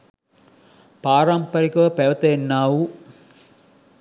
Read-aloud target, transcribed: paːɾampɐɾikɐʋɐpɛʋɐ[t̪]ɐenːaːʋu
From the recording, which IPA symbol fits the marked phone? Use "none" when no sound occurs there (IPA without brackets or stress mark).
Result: t̪